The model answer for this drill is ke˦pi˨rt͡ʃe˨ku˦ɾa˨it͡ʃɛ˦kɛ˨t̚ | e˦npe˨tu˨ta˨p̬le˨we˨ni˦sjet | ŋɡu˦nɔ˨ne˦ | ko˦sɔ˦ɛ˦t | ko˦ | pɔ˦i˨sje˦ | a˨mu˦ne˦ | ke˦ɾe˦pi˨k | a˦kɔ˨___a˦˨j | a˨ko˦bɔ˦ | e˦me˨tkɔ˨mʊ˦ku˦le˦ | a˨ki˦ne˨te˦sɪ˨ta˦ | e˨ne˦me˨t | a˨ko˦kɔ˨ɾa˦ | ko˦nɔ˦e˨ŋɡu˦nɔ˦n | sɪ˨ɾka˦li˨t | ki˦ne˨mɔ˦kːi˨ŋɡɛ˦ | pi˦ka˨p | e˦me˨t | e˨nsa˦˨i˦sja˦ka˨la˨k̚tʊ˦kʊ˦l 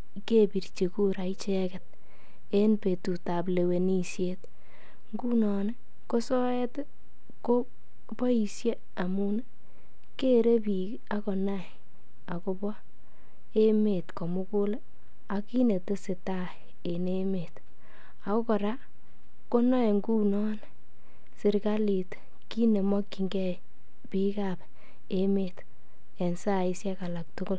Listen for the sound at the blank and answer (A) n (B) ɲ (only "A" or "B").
A